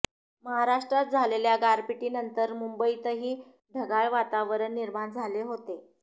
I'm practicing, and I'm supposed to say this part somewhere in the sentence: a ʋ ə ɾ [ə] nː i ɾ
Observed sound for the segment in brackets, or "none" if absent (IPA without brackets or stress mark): ə